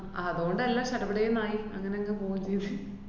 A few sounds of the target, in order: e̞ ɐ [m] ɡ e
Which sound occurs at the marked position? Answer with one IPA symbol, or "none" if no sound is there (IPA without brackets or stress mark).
ŋ